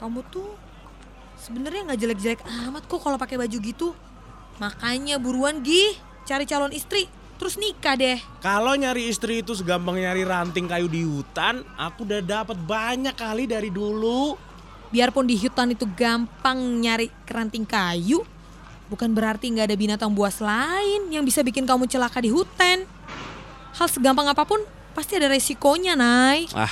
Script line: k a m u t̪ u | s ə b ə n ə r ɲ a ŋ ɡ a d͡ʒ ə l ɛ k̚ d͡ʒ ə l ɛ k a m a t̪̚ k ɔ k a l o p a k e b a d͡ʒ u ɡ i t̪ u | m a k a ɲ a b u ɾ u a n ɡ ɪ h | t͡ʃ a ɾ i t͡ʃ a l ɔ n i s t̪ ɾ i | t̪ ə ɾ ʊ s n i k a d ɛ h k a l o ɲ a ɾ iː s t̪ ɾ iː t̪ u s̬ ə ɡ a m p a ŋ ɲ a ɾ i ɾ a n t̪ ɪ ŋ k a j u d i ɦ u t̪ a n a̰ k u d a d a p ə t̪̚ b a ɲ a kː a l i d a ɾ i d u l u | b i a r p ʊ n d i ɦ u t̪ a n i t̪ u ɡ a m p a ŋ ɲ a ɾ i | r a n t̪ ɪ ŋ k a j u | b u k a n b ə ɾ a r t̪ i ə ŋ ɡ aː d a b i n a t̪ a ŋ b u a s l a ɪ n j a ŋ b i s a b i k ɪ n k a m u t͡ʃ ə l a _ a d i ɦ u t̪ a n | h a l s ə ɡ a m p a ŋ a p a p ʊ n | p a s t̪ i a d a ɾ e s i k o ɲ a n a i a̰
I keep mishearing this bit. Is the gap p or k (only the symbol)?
k